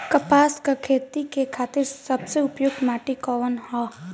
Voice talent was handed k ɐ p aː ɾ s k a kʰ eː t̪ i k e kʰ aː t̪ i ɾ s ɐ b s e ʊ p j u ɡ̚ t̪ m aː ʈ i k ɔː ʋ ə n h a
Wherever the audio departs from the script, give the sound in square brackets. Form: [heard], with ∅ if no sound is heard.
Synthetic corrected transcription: k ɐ p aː [∅] s k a kʰ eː t̪ i k e kʰ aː t̪ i ɾ s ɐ b s e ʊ p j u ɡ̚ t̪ m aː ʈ i k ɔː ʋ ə n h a